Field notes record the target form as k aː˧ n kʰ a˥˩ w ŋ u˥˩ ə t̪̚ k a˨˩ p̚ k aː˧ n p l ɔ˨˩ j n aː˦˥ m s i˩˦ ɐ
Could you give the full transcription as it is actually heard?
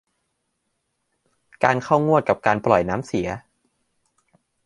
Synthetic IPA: k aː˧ n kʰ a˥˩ w ŋ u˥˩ ə t̪̚ k a˨˩ p̚ k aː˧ n p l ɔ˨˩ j n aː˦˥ m s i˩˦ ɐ